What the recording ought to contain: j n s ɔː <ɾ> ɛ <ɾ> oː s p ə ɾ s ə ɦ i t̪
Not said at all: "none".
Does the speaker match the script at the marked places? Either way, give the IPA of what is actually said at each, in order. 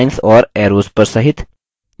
ɾ, ɾ

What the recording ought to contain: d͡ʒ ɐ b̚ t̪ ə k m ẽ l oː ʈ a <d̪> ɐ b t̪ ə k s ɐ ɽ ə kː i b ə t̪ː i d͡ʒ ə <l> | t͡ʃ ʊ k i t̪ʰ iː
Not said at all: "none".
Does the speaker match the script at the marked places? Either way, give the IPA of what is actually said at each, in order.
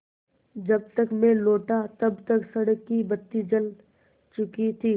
t̪, l

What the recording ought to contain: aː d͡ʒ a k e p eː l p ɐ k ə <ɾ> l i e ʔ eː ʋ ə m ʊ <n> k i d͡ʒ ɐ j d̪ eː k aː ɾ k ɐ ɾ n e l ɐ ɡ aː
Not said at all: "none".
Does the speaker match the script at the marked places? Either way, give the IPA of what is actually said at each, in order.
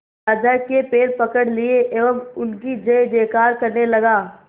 ɽ, n

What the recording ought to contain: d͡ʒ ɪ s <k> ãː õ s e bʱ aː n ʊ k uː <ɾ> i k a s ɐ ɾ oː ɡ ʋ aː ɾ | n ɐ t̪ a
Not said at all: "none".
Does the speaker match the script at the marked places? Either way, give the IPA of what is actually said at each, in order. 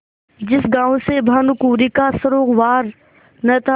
ɡ, ɾ

